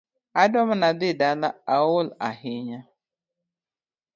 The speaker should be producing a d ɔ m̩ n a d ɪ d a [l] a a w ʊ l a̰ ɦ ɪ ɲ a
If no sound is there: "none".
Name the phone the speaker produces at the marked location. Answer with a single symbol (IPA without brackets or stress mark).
l